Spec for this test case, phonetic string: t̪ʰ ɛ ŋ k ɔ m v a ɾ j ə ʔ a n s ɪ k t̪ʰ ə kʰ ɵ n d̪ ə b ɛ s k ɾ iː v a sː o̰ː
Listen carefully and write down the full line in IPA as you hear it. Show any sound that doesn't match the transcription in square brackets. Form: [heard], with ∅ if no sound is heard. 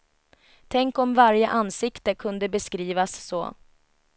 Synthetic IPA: t̪ʰ ɛ ŋ k ɔ m v a ɾ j ə ʔ a n s ɪ k [t̪] ə kʰ ɵ n d̪ ə b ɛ s k ɾ iː v a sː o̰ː